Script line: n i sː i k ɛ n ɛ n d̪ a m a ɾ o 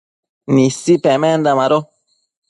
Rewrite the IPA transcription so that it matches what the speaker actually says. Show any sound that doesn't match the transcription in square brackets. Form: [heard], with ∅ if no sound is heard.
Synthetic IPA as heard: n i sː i [p] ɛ [m] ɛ n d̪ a m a ɾ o